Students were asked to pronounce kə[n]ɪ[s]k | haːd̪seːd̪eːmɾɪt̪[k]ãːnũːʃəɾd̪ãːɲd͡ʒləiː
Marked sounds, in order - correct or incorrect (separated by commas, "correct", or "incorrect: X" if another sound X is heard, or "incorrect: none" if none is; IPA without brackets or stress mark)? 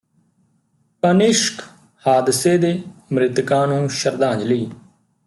correct, incorrect: ʃ, correct